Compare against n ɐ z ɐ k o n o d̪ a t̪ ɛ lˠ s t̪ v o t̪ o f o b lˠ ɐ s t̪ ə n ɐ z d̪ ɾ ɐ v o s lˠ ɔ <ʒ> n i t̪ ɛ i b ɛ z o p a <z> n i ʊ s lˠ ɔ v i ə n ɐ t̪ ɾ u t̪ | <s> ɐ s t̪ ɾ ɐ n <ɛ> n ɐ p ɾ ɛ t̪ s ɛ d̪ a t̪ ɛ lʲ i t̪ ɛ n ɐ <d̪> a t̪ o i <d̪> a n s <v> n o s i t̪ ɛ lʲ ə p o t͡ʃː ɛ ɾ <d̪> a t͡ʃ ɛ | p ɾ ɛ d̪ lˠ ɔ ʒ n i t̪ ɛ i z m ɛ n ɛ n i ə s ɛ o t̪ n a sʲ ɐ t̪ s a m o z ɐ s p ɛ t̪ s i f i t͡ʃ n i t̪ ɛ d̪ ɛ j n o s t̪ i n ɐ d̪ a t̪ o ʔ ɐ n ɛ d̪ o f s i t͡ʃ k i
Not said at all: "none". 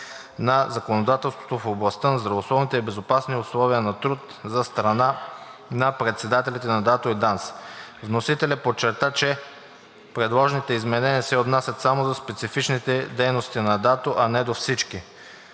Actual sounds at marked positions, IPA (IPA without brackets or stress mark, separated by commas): v, s, z, a, d̪, d̪, v, t̪